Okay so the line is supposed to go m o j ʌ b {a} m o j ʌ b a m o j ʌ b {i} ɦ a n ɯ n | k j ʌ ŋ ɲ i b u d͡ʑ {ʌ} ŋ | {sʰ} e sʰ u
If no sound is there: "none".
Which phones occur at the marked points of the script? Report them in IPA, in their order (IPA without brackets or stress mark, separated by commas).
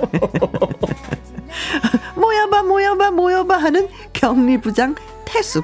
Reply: a, a, a, tʰ